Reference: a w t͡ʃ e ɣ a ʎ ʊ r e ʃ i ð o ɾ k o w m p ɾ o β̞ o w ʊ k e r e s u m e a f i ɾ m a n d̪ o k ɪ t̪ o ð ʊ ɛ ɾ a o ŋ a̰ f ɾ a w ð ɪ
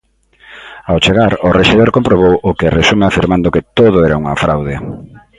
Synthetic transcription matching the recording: a w t͡ʃ e ɣ a ɾ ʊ r e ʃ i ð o ɾ k o m p ɾ o β̞ o w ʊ k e r e s u m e a f i ɾ m a n d̪ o k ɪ t̪ o ð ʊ ɛ ɾ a u ŋ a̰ f ɾ a w ð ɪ